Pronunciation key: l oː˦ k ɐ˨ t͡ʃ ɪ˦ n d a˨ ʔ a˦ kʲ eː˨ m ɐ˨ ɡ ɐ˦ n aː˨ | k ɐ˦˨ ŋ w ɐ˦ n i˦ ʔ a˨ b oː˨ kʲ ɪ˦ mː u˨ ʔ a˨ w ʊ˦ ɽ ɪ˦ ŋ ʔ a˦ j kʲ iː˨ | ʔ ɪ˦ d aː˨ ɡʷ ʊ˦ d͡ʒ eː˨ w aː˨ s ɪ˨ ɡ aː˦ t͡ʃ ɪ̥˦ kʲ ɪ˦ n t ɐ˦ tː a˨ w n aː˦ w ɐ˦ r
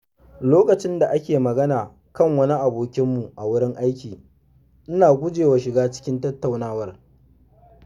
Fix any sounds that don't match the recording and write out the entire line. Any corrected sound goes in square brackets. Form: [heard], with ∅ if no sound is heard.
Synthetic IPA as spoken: l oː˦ k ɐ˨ t͡ʃ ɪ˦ n d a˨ ʔ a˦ kʲ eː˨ m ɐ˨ ɡ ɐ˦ n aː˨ | k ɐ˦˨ ŋ w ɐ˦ n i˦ ʔ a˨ b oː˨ kʲ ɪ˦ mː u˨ ʔ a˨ w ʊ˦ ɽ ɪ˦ ŋ ʔ a˦ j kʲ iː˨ | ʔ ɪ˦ [n] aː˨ ɡʷ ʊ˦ d͡ʒ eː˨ w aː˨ [ʃ] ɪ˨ ɡ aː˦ t͡ʃ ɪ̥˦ kʲ ɪ˦ n t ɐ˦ tː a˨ w n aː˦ w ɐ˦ r